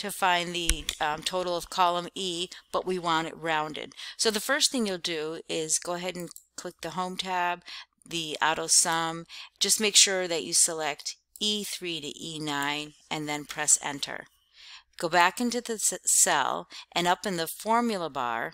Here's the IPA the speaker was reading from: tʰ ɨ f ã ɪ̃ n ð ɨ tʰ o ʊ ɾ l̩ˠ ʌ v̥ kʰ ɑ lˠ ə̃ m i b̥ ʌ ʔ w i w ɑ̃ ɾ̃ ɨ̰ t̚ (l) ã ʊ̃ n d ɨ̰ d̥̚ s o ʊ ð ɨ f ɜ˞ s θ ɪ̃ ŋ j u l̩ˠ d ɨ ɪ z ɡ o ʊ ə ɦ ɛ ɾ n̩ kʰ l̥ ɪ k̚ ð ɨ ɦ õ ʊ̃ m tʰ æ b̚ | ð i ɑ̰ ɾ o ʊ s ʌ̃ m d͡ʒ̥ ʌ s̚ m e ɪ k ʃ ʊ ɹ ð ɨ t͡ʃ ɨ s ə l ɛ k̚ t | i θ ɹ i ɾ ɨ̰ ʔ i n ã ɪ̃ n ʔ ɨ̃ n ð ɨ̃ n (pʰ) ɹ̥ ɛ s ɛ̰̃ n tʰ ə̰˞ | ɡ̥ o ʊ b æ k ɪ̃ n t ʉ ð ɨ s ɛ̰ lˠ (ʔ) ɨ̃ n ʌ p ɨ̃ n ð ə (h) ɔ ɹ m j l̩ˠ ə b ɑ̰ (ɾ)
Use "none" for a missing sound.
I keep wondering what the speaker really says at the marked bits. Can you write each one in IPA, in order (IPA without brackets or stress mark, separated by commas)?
ɹ, pʰ, ʔ, f, ɹ